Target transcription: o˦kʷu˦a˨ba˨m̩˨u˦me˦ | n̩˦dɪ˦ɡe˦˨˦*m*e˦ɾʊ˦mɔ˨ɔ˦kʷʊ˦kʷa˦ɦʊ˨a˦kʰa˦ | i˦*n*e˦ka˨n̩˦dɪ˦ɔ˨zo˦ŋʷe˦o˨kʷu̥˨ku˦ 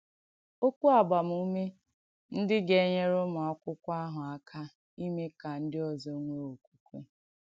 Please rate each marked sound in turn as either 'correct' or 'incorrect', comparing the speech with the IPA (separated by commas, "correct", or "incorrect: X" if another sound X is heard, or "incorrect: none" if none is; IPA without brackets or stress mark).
incorrect: ɲ, incorrect: m